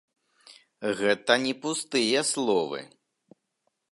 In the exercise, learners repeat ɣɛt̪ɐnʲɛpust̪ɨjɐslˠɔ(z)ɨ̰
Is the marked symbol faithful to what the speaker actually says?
no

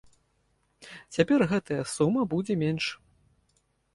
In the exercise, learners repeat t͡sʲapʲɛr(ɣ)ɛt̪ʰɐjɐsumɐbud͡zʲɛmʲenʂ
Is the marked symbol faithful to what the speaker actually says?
yes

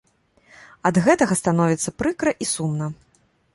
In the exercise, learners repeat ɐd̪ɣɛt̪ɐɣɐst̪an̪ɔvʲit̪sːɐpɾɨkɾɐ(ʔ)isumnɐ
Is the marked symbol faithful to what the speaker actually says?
yes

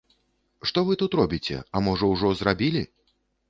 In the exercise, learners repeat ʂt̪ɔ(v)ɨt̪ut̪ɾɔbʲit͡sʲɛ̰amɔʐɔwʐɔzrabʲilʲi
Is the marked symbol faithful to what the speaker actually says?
yes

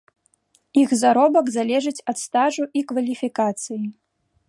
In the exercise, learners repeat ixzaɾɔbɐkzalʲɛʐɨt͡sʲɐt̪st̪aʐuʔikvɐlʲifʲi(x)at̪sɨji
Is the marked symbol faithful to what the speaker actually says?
no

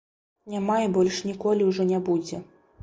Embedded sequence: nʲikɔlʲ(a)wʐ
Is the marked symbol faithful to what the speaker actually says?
no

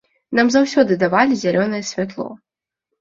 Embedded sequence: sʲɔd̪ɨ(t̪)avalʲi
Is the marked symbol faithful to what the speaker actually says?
no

